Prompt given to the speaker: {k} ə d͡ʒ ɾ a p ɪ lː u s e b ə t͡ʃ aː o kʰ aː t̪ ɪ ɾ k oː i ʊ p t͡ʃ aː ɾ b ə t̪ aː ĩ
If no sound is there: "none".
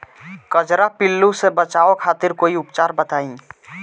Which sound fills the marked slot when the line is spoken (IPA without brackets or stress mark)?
k